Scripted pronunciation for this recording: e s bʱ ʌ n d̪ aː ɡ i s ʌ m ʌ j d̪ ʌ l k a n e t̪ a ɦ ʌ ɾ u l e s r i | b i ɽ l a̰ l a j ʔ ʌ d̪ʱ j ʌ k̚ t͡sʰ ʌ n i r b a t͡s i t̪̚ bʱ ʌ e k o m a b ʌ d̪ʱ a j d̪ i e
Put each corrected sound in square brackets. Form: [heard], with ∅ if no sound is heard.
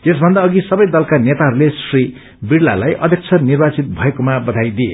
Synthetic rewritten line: e s bʱ ʌ n d̪ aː ɡ i s ʌ [b] ʌ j d̪ ʌ l k a n e t̪ a ɦ ʌ ɾ u l e s r i | b i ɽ l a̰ l a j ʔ ʌ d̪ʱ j ʌ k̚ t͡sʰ ʌ n i r b a t͡s i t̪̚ bʱ ʌ e k o m a b ʌ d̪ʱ a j d̪ i e

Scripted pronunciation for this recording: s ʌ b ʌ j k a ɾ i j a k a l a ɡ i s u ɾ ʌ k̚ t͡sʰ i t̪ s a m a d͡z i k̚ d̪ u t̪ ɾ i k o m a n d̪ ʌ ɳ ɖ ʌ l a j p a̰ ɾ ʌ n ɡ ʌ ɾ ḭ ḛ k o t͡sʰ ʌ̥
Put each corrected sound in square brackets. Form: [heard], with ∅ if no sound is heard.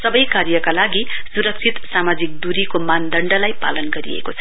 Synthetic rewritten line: s ʌ b ʌ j k a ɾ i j [ʌ] k a l a ɡ i s u ɾ ʌ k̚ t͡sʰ i t̪ s a m a d͡z i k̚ d̪ u [∅] ɾ i k o m a n d̪ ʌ ɳ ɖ ʌ l a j p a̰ [l] ʌ n ɡ ʌ ɾ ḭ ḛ k o t͡sʰ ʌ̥

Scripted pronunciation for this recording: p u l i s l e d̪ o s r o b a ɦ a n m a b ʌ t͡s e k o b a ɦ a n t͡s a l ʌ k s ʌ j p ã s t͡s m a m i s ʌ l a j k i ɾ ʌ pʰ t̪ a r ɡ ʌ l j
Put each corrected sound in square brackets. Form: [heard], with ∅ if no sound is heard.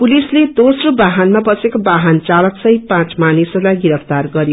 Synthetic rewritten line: p u l i s l e d̪ o s r o b a ɦ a n m a b ʌ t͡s e k o b a ɦ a n t͡s a l ʌ k s ʌ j p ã [∅] t͡s m a [n] i s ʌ l a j [ɡ] i ɾ ʌ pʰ t̪ a r ɡ ʌ [ɾ] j

